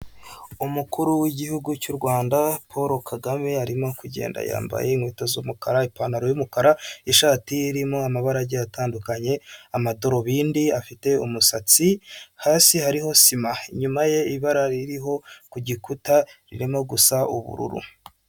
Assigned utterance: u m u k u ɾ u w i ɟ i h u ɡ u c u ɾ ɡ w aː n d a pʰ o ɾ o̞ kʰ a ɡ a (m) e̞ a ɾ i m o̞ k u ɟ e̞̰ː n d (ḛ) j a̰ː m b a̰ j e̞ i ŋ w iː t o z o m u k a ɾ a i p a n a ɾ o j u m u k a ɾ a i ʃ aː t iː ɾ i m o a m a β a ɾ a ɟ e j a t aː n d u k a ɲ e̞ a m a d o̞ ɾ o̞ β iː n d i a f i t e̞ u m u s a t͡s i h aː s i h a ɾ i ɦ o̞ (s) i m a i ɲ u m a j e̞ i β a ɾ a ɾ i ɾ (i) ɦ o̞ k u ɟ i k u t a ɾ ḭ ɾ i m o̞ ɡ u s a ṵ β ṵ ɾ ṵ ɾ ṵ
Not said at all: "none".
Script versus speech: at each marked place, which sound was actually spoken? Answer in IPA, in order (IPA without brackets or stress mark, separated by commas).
m, a̰, s, i